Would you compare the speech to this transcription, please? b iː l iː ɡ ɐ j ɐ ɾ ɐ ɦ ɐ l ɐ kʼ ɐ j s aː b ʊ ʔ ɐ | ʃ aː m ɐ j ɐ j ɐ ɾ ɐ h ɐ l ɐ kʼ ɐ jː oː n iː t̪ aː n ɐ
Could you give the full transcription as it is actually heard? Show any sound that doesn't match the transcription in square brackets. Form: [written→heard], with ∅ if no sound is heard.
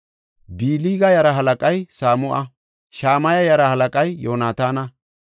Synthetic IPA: b iː l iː ɡ ɐ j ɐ ɾ ɐ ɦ ɐ l ɐ kʼ ɐ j s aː [b→m] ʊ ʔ ɐ | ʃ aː m ɐ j ɐ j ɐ ɾ ɐ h ɐ l ɐ kʼ ɐ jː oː n [iː→aː] t̪ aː n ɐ